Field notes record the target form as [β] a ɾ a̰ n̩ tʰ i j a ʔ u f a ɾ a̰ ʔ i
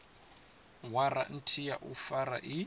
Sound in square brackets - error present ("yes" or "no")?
yes